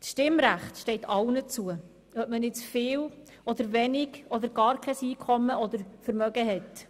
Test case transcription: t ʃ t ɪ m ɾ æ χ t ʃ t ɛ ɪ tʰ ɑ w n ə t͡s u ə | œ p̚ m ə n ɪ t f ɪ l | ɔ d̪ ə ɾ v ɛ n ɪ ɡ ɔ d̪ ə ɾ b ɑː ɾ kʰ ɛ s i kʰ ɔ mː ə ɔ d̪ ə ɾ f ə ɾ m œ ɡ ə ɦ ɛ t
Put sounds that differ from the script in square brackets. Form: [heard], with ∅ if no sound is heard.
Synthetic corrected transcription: [s] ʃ t ɪ m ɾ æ χ t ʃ t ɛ ɪ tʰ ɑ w n ə t͡s u ə | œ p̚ m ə n ɪ [t͡s] f [ɪː] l | ɔ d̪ ə ɾ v ɛ n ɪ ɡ ɔ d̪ ə ɾ [ɡ] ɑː ɾ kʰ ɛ s [iː] kʰ ɔ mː ə ɔ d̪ ə ɾ f ə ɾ m œ ɡ ə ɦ ɛ t

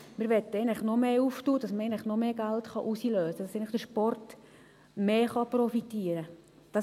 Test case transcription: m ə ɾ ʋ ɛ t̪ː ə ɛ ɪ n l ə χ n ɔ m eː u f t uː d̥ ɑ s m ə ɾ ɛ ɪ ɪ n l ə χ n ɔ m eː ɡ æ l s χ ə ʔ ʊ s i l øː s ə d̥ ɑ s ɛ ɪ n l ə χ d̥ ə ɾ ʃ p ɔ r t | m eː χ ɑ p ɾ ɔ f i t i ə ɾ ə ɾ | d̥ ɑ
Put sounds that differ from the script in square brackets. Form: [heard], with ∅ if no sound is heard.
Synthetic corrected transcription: m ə ɾ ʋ ɛ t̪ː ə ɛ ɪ n l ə χ n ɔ m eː u f t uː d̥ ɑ s m ə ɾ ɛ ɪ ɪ n l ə χ n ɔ m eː ɡ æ l [t] χ [ɑ] ʔ [u] s i l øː s ə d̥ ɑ s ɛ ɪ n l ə χ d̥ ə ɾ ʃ p ɔ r t | m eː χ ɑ p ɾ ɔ f i t i ə ɾ ə [∅] | d̥ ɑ

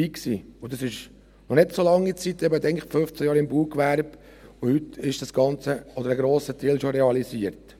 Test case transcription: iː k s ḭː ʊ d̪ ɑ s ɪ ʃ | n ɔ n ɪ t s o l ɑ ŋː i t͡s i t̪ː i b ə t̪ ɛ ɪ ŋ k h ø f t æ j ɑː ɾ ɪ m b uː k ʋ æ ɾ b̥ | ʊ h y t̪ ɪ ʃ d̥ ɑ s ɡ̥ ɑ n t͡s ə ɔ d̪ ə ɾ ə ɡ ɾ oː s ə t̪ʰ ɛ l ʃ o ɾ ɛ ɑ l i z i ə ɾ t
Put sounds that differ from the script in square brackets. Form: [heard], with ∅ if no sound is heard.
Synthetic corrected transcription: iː k s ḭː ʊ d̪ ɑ s ɪ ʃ | n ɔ n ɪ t s o l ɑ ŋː i t͡s i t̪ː [ɛ] b ə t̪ ɛ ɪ ŋ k [f] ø f [t͡s] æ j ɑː ɾ ɪ m b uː k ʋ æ ɾ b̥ | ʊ h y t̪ ɪ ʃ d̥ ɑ s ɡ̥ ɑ n t͡s ə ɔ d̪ ə ɾ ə ɡ ɾ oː s ə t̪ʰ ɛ l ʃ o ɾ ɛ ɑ l i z i ə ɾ t

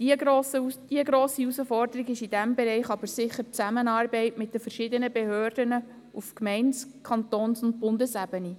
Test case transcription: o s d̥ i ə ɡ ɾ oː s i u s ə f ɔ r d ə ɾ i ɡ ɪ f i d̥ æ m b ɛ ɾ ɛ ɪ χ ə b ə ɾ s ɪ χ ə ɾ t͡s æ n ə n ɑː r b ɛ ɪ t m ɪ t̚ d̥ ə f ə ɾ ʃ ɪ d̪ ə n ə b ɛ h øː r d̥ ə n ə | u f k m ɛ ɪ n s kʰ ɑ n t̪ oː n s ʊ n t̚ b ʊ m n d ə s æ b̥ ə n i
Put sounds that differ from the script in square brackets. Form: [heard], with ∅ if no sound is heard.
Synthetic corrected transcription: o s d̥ i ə ɡ ɾ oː s i u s ə f ɔ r d ə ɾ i ɡ ɪ [ʃ] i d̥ æ m b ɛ ɾ ɛ ɪ χ [ɑ] b ə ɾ s ɪ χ ə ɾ t͡s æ [m] ə n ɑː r b ɛ ɪ t m ɪ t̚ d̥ ə f ə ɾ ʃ ɪ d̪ ə n ə b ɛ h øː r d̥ ə n ə | u f k m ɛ ɪ n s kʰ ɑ n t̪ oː n s ʊ n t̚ b ʊ [∅] n d ə s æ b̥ ə n i

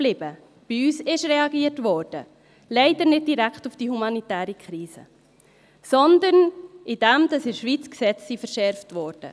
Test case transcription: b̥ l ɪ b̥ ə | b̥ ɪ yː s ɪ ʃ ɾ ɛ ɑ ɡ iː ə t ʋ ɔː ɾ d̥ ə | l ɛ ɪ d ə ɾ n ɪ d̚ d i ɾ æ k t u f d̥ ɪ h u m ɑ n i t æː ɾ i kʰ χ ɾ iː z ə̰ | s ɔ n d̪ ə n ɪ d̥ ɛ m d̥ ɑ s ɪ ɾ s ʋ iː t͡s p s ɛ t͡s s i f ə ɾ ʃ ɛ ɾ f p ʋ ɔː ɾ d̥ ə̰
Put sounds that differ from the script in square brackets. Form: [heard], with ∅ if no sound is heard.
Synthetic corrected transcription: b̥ l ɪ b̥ ə | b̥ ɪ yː s ɪ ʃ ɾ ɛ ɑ ɡ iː ə t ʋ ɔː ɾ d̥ ə | l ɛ ɪ d ə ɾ n ɪ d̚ d i ɾ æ k t u f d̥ [i] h u m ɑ n i t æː ɾ i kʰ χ ɾ iː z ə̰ | s ɔ n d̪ ə n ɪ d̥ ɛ m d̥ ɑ s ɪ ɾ [ʃ] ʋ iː t͡s [k] s ɛ t͡s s i f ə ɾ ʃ ɛ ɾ f [t] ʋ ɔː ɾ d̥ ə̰

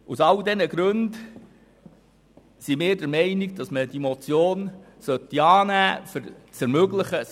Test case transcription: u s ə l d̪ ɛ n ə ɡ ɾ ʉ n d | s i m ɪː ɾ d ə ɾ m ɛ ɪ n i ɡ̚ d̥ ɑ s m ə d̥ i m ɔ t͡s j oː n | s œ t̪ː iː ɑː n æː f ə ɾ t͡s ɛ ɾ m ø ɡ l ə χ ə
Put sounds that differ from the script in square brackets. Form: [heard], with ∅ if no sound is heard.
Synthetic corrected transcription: u s [ɑ] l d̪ ɛ n ə ɡ ɾ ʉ n d | s i m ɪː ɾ d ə ɾ m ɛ ɪ n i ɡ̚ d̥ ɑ s m ə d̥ i m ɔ t͡s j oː n | s œ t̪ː [i] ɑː n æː f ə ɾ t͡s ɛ ɾ m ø ɡ l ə χ ə

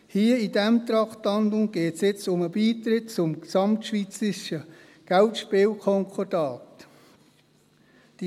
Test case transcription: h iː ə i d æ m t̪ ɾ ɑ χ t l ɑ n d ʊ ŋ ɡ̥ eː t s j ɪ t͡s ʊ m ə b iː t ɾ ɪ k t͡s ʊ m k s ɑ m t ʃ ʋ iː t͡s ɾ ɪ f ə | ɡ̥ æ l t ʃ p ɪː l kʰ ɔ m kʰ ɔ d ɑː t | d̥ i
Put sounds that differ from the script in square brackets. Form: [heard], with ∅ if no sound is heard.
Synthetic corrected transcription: h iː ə i d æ m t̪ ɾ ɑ χ t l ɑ n d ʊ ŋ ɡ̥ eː t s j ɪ t͡s ʊ m ə b iː t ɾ ɪ [t] t͡s ʊ m k s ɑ m t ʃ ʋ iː t͡s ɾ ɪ [ʃ] ə | ɡ̥ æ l t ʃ p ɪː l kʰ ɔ [ŋ] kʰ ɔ d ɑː t | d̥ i

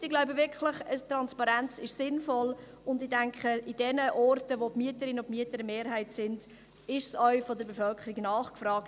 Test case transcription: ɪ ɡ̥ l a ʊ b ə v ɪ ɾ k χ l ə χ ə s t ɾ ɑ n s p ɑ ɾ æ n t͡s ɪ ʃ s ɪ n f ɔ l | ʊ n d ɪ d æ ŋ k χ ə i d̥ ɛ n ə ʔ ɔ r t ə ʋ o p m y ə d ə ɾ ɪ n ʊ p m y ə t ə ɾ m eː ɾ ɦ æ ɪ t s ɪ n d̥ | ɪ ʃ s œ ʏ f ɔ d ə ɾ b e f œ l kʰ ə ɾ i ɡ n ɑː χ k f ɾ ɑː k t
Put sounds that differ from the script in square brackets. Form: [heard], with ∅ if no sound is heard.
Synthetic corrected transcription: ɪ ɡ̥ l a ʊ b ə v ɪ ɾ k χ l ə χ ə s t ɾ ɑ n s p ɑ ɾ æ n t͡s ɪ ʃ s ɪ n f ɔ l | ʊ n d ɪ d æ ŋ k χ ə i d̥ ɛ n ə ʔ ɔ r t ə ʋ o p m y ə [t] ə ɾ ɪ n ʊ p m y ə t ə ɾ m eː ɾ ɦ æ ɪ t s ɪ n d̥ | ɪ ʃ s œ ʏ f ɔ d ə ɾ b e f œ l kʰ ə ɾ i ɡ n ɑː χ k f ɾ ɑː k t

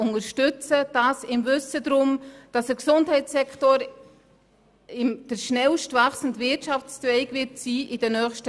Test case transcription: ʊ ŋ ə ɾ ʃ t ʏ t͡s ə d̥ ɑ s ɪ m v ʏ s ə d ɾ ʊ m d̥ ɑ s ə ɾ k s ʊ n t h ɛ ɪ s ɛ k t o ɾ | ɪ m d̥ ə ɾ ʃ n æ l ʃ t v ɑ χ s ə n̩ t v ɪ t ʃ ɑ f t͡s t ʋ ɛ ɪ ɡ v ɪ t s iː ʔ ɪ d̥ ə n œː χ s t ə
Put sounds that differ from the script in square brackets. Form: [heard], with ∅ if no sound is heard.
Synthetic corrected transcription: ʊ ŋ ə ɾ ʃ t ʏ t͡s ə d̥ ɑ s ɪ m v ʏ s ə d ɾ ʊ m d̥ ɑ s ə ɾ k s ʊ n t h ɛ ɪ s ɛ k t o ɾ | ɪ m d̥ ə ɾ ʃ n [ɛ] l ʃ t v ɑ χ s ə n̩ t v ɪ t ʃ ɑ f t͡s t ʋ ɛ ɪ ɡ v ɪ t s iː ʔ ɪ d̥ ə n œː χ [ʃ] t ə

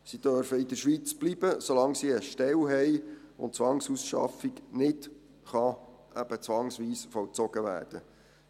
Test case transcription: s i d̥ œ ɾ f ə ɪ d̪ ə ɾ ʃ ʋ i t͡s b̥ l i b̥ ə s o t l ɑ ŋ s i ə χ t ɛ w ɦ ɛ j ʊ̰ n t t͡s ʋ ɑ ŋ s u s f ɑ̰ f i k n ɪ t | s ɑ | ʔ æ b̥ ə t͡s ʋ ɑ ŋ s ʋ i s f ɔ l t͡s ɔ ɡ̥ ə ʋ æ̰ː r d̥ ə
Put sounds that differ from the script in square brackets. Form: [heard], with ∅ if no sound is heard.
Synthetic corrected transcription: s i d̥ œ ɾ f ə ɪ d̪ ə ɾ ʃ ʋ i t͡s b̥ l i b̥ ə s o [∅] l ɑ ŋ s i ə [ʃ] t ɛ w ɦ ɛ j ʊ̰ n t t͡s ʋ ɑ ŋ s u s [ʃ] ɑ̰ f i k n ɪ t | [χ] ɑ | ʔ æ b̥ ə t͡s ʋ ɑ ŋ s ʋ [iː] s f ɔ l t͡s ɔ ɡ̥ ə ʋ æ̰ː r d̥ ə

